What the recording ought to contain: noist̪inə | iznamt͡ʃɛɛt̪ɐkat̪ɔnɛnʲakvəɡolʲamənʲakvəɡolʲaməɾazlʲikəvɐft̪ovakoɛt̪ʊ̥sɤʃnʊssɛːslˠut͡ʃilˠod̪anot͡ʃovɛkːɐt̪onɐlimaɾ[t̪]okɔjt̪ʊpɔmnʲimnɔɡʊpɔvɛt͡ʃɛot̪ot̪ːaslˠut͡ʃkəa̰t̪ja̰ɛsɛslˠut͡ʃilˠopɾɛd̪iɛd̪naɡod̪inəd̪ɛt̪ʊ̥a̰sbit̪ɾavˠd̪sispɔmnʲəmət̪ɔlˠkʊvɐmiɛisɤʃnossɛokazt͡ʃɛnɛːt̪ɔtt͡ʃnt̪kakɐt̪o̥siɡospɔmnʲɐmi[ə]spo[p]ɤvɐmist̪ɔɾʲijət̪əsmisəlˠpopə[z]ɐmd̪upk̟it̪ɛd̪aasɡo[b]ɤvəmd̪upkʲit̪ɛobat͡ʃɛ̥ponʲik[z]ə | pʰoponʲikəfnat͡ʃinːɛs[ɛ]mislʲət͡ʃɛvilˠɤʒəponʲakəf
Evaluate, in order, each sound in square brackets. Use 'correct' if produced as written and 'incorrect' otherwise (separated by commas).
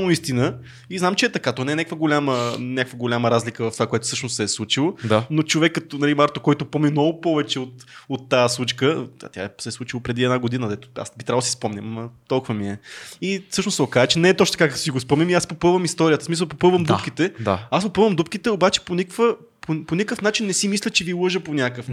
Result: correct, incorrect, correct, incorrect, incorrect, incorrect, incorrect